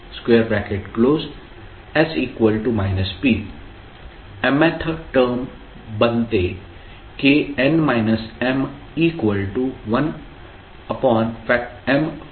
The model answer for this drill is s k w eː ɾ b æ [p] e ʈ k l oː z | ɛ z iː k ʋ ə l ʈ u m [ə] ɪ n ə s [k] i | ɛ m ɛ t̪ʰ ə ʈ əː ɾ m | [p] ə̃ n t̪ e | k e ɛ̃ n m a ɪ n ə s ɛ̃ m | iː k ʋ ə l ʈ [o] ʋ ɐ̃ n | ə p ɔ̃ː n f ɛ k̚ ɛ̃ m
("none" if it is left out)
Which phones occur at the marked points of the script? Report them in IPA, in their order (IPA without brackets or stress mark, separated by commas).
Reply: k, a, p, b, u